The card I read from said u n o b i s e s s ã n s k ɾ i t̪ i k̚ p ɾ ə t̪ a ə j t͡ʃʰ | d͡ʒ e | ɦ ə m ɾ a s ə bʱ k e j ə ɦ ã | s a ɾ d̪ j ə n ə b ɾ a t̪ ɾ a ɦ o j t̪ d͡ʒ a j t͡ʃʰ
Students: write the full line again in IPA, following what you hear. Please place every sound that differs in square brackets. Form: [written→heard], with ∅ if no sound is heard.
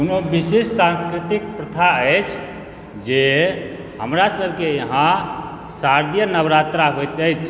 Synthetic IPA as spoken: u n o b i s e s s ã n s k ɾ i t̪ i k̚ p ɾ ə [t̪→t̪ʰ] a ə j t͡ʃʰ | d͡ʒ e | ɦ ə m ɾ a s ə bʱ k e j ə ɦ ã | s a ɾ d̪ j ə n ə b ɾ a t̪ ɾ a ɦ o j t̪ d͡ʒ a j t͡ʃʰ